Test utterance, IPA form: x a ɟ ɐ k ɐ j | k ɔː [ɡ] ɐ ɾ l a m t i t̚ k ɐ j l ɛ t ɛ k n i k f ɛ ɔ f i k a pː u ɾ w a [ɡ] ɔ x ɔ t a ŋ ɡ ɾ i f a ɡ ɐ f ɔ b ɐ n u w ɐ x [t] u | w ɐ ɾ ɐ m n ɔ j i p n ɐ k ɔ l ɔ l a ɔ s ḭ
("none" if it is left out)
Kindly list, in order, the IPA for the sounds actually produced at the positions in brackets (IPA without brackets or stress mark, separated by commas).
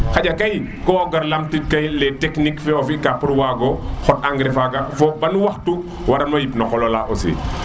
ɡ, ɡ, t